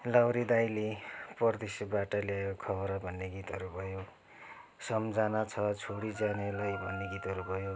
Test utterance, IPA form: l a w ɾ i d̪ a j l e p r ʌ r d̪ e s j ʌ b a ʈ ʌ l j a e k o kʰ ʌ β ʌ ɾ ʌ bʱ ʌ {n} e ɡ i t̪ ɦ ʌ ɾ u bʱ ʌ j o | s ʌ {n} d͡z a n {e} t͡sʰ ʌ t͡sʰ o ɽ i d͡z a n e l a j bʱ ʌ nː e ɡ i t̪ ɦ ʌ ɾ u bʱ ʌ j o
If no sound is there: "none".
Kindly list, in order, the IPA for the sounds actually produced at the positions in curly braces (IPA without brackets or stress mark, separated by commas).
nː, m, a